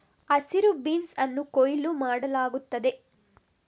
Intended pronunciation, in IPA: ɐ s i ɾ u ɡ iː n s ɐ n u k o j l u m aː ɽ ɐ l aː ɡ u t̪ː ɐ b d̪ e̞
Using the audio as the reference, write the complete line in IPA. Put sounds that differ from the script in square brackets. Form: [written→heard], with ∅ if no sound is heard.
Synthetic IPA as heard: ɐ s i ɾ u [ɡ→b] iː n s ɐ [n→nː] u k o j l u m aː ɽ ɐ l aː ɡ u t̪ː ɐ [b→∅] d̪ e̞